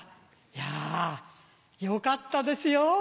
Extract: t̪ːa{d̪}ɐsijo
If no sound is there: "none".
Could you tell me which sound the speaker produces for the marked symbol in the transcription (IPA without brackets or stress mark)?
d̪